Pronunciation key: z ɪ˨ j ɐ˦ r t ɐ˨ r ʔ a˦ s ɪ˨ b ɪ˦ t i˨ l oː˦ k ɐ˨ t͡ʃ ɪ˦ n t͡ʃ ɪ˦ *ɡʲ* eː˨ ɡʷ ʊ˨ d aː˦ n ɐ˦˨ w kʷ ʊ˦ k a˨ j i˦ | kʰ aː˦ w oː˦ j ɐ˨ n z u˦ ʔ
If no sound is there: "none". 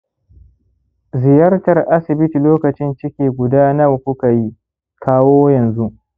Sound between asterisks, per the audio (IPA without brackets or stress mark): kʲ